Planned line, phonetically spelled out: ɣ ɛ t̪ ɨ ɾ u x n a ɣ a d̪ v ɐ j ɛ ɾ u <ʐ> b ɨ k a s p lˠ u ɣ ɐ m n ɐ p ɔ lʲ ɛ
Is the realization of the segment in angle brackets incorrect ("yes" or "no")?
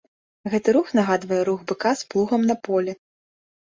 yes